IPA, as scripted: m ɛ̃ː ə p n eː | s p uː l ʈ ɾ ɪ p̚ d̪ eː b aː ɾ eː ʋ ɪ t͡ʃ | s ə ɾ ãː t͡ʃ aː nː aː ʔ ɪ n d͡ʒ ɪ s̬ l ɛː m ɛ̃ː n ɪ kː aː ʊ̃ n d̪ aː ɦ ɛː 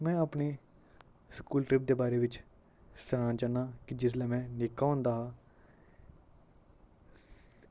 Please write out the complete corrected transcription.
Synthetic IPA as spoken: m ɛ̃ː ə p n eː | s k uː l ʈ ɾ ɪ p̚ d̪ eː b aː ɾ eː ʋ ɪ t͡ʃ | s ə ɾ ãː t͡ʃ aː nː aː k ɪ d͡ʒ ɪ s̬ l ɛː m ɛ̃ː n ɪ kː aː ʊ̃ n d̪ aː ɦ aː